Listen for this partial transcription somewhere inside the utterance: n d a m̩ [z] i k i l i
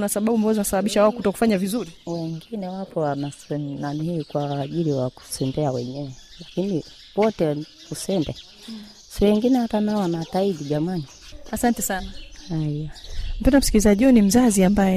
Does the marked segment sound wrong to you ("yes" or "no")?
yes